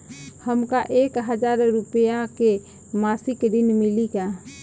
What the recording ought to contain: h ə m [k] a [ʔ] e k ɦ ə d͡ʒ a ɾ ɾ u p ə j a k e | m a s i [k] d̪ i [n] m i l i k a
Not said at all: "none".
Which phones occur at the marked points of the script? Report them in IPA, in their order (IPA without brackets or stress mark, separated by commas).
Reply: k, ʔ, k, n